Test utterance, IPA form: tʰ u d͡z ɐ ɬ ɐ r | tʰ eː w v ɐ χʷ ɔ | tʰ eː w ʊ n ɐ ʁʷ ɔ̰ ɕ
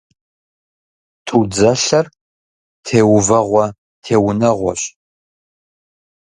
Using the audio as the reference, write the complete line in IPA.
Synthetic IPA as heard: tʰ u d͡z ɐ ɬ ɐ r | tʰ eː w v ɐ ʁʷ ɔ | tʰ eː w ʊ n ɐ ʁʷ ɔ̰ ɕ